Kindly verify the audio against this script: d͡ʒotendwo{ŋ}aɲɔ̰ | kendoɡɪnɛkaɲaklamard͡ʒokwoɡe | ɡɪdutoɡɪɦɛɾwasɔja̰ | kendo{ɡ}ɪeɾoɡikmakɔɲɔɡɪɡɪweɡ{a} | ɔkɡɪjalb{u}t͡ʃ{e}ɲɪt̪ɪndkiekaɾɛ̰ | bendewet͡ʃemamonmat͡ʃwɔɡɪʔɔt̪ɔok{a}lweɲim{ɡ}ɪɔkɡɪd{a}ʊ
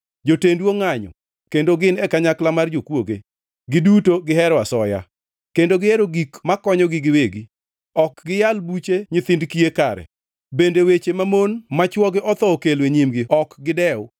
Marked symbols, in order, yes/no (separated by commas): yes, yes, no, yes, yes, no, yes, no